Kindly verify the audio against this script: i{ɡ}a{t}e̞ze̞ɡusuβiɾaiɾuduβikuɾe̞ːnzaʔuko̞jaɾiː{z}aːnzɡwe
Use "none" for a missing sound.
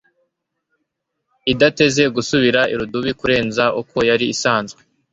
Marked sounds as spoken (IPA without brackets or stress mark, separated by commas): d, t, s